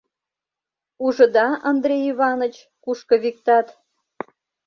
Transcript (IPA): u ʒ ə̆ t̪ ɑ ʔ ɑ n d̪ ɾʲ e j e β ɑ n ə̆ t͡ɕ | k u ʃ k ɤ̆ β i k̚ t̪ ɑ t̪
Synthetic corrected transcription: u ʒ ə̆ d̪ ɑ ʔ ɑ n d̪ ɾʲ e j i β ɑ n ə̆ t͡ɕ | k u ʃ k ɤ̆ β i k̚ t̪ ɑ t̪